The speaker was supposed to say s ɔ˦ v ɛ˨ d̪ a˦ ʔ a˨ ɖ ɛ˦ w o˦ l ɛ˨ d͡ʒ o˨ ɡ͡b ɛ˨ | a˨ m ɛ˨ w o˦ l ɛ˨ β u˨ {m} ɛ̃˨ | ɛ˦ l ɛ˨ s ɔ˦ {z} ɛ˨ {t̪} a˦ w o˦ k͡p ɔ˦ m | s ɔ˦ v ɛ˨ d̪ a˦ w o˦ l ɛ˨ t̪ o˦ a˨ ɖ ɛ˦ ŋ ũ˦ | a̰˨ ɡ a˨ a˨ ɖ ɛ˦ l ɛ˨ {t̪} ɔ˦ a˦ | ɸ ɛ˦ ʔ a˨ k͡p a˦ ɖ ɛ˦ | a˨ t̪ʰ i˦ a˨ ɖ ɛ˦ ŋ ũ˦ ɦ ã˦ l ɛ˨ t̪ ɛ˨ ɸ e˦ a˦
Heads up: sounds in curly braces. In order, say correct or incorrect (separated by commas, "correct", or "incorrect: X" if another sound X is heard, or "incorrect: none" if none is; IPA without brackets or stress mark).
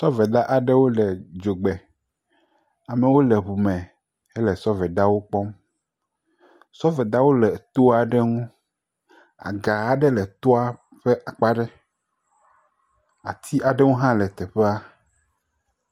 correct, incorrect: v, incorrect: d̪, correct